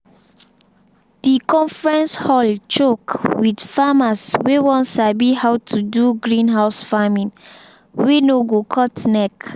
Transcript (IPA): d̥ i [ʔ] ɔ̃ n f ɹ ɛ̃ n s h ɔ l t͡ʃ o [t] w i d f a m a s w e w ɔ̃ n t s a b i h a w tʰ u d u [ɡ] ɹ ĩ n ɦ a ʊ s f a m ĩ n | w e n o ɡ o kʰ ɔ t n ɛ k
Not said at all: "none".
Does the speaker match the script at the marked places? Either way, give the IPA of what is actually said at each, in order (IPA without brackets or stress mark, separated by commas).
k, k, ɡ